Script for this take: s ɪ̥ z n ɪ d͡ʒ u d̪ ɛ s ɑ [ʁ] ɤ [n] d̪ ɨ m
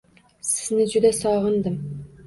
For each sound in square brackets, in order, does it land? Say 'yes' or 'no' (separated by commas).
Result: yes, yes